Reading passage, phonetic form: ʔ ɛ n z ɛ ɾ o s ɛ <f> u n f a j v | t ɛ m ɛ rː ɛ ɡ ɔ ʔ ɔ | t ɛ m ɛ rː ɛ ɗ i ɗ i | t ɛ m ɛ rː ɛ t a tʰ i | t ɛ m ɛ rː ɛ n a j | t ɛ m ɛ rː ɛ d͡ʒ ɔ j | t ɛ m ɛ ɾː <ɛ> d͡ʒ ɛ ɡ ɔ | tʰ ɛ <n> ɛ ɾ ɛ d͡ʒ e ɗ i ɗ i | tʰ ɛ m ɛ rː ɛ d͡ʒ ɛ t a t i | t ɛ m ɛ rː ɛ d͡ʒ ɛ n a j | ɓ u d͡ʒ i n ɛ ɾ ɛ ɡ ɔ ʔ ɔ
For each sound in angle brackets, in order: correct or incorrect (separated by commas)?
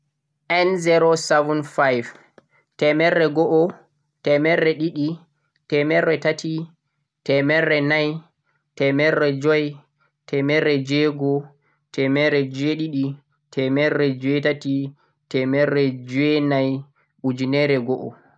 incorrect, correct, incorrect